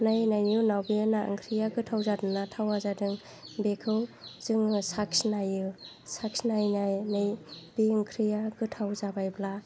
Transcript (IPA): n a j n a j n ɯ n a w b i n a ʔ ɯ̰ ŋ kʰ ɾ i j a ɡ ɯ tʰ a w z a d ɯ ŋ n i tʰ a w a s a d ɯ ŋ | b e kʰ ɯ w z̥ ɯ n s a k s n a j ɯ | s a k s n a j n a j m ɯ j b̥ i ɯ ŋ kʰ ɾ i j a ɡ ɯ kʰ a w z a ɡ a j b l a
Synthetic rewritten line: n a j n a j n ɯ n a w b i n a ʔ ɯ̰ ŋ kʰ ɾ i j a ɡ ɯ tʰ a w z a d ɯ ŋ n a tʰ a w a z a d ɯ ŋ | b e kʰ ɯ w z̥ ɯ ŋ s a k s n a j ɯ | s a k s n a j n a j n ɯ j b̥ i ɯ ŋ kʰ ɾ i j a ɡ ɯ tʰ a w z a b a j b l a

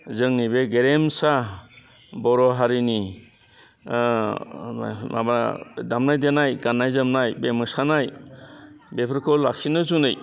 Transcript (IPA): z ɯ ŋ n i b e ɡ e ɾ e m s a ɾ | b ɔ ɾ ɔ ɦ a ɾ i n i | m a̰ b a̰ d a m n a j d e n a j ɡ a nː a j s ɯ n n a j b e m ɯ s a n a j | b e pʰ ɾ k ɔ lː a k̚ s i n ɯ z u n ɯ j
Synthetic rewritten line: z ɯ ŋ n i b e ɡ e ɾ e m s a | b ɔ ɾ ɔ ɦ a ɾ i n i | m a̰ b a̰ d a m n a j d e n a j ɡ a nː a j z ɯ m n a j b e m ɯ s a n a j | b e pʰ ɾ k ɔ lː a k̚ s i n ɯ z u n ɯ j

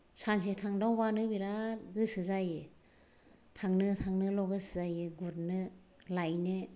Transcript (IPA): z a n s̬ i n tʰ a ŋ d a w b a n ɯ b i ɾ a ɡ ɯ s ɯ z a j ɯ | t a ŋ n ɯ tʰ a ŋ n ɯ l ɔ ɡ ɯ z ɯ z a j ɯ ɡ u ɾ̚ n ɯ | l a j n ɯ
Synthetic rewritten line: s a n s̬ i tʰ a ŋ d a w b a n ɯ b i ɾ a ɡ ɯ s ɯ z a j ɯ | tʰ a ŋ n ɯ tʰ a ŋ n ɯ l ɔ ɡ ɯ s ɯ z a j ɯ ɡ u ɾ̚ n ɯ | l a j n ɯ

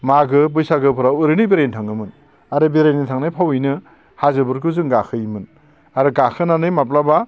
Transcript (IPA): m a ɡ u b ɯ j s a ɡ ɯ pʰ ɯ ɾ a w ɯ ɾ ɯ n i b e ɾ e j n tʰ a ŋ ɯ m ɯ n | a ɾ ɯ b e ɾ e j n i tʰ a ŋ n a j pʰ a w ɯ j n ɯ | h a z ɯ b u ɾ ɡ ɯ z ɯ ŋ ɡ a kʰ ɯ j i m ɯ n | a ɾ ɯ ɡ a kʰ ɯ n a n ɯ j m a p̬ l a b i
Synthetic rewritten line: m a ɡ ɯ b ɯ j s a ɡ ɯ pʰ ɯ ɾ a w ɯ ɾ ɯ n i b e ɾ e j n tʰ a ŋ ɯ m ɯ n | a ɾ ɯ b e ɾ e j n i tʰ a ŋ n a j pʰ a w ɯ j n ɯ | h a z ɯ b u ɾ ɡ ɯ z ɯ ŋ ɡ a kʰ ɯ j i m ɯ n | a ɾ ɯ ɡ a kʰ ɯ n a n ɯ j m a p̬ l a b a

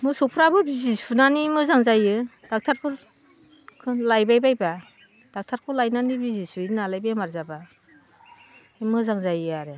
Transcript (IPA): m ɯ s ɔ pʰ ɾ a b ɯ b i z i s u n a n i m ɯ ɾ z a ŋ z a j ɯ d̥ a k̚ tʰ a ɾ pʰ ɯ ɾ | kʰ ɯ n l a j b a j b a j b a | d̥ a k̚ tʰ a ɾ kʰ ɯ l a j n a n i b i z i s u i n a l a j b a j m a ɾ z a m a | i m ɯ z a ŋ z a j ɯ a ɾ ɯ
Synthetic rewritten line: m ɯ s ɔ pʰ ɾ a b ɯ b i z i s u n a n i m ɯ z a ŋ z a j ɯ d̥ a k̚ tʰ a ɾ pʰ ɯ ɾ | kʰ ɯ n l a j b a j b a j b a | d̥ a k̚ tʰ a ɾ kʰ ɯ l a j n a n i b i z i s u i n a l a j b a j m a ɾ z a b a | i m ɯ z a ŋ z a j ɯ a ɾ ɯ

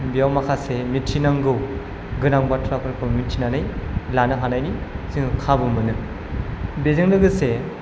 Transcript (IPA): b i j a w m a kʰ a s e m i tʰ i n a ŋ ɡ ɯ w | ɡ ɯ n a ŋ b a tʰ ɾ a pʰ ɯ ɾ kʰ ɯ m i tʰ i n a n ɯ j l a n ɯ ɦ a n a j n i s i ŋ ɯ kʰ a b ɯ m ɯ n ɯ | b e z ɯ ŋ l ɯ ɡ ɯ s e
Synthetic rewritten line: b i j a w m a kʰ a s e m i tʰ i n a ŋ ɡ ɯ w | ɡ ɯ n a ŋ b a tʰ ɾ a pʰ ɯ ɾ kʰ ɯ m i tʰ i n a n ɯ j l a n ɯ ɦ a n a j n i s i ŋ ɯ kʰ a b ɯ m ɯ n ɯ | b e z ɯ ŋ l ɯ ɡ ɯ s e

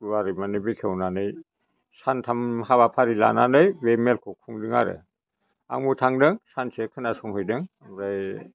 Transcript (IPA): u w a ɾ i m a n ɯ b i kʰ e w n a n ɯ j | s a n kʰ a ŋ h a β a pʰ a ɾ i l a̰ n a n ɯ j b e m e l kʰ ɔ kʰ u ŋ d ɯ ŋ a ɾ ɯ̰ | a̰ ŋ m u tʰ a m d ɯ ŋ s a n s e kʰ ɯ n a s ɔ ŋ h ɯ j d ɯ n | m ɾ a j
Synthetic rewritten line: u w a ɾ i m a n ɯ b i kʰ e w n a n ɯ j | s a n tʰ a m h a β a pʰ a ɾ i l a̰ n a n ɯ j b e m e l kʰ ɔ kʰ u ŋ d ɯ ŋ a ɾ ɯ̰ | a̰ ŋ m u tʰ a ŋ d ɯ ŋ s a n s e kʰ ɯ n a s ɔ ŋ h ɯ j d ɯ ŋ | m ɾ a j

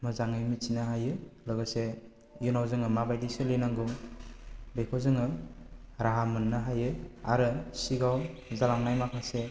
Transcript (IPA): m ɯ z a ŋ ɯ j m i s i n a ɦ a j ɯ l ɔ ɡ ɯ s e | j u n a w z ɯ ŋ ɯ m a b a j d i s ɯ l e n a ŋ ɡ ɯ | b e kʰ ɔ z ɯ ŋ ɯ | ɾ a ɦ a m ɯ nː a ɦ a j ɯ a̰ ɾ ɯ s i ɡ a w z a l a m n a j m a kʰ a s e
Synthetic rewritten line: m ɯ z a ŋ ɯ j m i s i n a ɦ a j ɯ l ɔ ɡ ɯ s e | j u n a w z ɯ ŋ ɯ m a b a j d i s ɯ l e n a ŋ ɡ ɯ | b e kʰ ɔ z ɯ ŋ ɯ | ɾ a ɦ a m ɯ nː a ɦ a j ɯ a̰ ɾ ɯ s i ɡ a w z a l a ŋ n a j m a kʰ a s e

